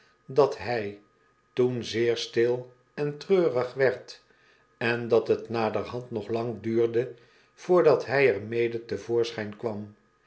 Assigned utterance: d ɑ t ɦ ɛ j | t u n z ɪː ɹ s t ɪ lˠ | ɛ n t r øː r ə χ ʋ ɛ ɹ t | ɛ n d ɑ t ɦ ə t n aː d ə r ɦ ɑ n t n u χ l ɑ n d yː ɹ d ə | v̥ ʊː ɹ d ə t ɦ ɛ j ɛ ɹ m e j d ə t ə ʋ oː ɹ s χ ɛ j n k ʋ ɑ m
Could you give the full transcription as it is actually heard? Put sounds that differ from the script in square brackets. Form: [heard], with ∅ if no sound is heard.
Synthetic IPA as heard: d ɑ t ɦ ɛ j | t u n z ɪː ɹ s t ɪ lˠ | ɛ n t r øː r ə χ ʋ ɛ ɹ t | ɛ n d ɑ t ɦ ə t n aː d ə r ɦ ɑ n t n [ɔ] χ l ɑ [ŋ] d yː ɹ d ə | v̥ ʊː ɹ d [ɑ] t ɦ ɛ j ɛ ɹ m e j d ə t ə [v] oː ɹ s χ ɛ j n k ʋ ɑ m